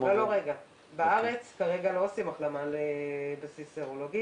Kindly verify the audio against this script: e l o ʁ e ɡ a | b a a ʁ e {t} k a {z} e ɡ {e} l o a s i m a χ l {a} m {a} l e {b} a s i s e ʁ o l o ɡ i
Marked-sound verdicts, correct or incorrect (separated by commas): incorrect, incorrect, incorrect, correct, correct, correct